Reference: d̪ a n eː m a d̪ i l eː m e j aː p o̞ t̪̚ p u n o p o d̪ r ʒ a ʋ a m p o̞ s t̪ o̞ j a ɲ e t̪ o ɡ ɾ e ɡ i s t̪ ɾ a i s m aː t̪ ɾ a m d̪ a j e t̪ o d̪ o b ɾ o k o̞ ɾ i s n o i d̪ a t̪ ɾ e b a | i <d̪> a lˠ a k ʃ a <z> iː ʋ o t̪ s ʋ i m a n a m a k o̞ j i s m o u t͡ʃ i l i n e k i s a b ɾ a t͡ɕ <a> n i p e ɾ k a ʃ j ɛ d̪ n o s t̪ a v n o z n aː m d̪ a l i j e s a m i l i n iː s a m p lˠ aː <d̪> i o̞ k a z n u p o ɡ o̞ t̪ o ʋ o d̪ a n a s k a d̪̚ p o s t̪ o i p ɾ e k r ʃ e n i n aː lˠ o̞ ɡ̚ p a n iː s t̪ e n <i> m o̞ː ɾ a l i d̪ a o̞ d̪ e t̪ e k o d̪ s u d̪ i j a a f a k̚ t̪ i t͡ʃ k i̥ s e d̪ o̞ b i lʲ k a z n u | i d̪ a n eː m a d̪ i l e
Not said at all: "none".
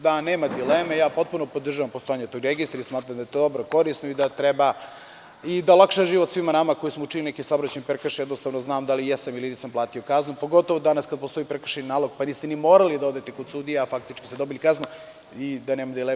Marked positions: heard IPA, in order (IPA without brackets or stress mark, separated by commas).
d̪, ʒ, e, t̪, i